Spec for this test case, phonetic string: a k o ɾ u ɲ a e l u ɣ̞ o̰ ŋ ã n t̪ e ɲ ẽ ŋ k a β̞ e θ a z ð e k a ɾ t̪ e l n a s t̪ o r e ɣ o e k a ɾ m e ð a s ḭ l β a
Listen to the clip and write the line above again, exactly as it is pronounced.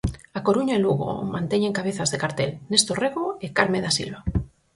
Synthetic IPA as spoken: a k o ɾ u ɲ a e l u ɣ̞ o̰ m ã n t̪ e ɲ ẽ ŋ k a β̞ e θ a z ð e k a ɾ t̪ e l n e s t̪ o r e ɣ o e k a ɾ m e ð a s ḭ l β a